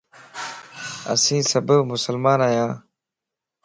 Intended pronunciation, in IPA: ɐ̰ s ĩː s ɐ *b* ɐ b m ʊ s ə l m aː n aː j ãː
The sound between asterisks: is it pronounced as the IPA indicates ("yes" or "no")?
yes